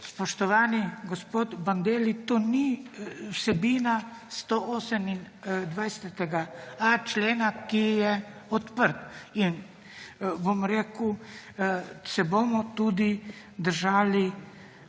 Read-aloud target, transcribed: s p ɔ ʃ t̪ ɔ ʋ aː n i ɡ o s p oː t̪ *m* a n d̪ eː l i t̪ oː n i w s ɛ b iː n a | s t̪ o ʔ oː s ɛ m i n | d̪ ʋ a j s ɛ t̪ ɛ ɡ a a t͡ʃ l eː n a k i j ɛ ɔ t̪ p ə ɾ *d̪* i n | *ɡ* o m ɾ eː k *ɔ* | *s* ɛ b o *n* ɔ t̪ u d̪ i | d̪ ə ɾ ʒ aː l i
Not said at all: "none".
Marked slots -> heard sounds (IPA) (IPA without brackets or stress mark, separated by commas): b, t̪, b, u, s, m